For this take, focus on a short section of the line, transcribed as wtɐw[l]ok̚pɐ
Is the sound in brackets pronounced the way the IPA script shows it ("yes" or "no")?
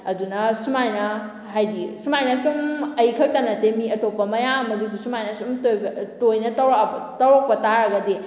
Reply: no